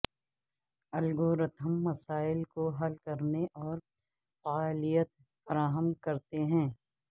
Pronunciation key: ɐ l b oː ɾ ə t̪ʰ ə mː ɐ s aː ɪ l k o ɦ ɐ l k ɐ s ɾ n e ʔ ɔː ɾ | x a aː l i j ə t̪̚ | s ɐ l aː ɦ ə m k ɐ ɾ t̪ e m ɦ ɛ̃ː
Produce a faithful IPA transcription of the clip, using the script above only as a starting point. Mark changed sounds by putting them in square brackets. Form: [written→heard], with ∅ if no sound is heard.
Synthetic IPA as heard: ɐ l [b→ɡ] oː ɾ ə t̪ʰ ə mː ɐ s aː ɪ l k o ɦ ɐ l k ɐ [s→∅] ɾ n e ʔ ɔː ɾ | [x→f] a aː l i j ə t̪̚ | [s→f] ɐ [l→ɾ] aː ɦ ə m k ɐ ɾ t̪ e [m→∅] ɦ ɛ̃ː